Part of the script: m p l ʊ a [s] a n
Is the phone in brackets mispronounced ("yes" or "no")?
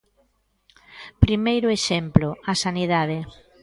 no